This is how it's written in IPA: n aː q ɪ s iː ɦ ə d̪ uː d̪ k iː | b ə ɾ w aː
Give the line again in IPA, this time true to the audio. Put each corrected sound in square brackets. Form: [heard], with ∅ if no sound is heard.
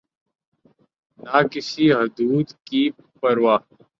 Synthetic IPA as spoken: n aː [k] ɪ s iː ɦ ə d̪ uː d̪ k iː | [p] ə ɾ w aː